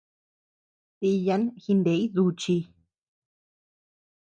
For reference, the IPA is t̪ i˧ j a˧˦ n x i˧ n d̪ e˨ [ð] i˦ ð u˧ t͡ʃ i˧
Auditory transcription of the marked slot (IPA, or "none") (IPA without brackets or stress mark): none